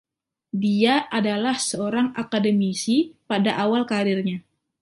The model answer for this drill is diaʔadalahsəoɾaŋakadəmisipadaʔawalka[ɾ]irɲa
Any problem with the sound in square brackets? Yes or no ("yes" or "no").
no